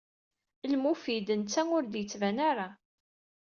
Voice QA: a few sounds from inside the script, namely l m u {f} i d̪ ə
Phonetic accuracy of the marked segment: correct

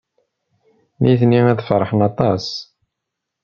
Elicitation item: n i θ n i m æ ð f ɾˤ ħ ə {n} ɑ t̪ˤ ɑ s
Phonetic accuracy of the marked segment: correct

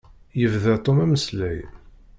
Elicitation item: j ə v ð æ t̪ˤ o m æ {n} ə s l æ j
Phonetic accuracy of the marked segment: incorrect: m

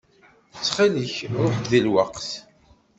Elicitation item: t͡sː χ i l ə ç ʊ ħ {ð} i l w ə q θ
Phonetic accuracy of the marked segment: correct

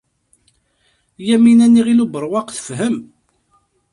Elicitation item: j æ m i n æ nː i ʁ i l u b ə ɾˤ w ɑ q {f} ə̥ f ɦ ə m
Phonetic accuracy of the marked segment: incorrect: θ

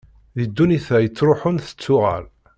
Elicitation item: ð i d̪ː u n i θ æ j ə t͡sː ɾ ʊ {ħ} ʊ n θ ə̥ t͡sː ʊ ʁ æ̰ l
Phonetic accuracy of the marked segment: correct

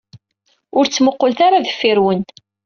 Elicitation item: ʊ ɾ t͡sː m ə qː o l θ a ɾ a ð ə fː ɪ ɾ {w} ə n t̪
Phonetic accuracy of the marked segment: correct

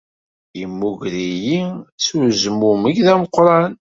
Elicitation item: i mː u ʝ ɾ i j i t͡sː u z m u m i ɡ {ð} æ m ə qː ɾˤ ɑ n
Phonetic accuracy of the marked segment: correct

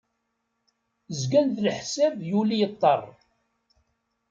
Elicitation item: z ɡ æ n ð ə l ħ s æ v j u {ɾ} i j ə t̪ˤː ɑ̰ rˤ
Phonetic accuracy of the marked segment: incorrect: l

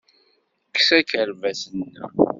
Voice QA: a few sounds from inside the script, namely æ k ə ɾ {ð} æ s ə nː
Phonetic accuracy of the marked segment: incorrect: v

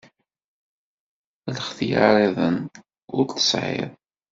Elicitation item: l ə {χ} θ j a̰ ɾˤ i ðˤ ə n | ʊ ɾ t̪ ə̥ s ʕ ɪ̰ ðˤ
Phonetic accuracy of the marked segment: correct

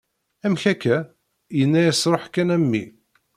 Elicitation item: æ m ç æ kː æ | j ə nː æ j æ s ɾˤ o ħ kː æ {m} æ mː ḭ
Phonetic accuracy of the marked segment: incorrect: n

